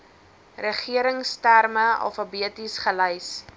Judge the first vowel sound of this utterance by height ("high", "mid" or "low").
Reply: mid